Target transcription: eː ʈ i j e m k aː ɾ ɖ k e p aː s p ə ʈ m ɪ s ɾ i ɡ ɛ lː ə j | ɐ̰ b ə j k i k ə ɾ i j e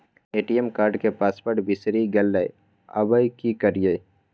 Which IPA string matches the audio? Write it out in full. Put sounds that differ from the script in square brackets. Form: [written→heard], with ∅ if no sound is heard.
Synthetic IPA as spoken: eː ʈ i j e m k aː ɾ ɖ k e p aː s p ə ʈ [m→b] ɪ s ɾ i ɡ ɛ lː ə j | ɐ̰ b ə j k i k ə ɾ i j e